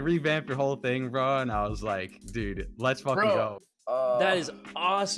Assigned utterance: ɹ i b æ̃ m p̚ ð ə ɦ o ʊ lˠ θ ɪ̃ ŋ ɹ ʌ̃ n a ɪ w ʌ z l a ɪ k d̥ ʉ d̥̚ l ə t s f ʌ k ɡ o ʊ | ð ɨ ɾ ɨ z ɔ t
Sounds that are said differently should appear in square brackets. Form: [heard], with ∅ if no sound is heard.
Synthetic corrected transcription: ɹ i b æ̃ m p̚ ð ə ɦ o ʊ lˠ θ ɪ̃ ŋ ɹ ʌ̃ n a ɪ w ʌ z l a ɪ k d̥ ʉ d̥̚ l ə t s f ʌ k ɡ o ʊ | ð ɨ ɾ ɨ z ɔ [s]